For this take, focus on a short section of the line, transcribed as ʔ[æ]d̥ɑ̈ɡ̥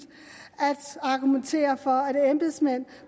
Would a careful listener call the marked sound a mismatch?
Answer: no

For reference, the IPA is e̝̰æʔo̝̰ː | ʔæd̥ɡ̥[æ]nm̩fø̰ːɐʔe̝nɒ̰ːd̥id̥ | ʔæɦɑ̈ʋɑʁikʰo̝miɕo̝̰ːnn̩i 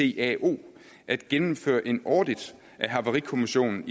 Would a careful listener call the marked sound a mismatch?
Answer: yes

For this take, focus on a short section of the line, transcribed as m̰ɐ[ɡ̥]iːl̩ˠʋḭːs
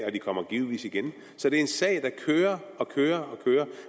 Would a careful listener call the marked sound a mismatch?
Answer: no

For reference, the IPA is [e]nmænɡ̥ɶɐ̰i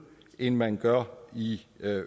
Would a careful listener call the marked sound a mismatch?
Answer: no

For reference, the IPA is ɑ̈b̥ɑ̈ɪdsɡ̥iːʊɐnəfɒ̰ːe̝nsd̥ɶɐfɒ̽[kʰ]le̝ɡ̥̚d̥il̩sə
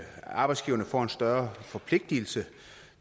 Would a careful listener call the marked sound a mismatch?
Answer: yes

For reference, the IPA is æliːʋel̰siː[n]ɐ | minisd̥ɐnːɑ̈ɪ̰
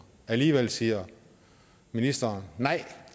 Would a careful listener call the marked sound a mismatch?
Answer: yes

